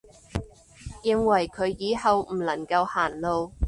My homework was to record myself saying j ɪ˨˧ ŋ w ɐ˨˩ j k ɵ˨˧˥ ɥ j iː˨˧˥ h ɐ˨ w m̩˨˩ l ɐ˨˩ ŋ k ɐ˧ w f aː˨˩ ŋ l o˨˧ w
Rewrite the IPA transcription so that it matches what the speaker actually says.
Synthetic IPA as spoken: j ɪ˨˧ ŋ w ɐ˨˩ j kʰ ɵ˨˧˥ ɥ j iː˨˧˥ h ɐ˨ w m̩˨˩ l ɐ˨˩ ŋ k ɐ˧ w h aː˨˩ n l o˨˧ w